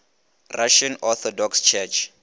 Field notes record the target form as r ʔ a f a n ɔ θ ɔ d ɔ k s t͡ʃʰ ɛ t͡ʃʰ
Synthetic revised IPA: r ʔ a ʃ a n ɔ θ ɔ d ɔ k s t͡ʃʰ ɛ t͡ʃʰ